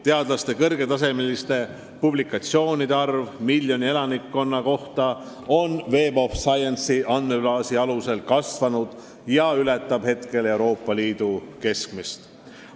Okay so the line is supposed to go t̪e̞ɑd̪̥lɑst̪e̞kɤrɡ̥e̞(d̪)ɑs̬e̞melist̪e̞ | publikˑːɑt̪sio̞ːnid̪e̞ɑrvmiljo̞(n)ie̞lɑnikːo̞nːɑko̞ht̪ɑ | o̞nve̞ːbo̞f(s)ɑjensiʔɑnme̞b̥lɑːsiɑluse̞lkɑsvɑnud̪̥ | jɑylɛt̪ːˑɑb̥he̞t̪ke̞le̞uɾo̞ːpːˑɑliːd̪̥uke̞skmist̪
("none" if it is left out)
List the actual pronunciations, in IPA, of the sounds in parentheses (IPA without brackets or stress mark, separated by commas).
t̪, n, s